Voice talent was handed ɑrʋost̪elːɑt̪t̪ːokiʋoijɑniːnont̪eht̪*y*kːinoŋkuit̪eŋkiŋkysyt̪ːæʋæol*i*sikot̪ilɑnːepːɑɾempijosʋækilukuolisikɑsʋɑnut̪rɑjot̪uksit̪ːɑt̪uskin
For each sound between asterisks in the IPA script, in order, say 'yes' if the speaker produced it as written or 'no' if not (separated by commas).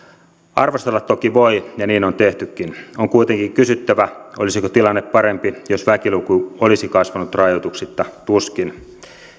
yes, yes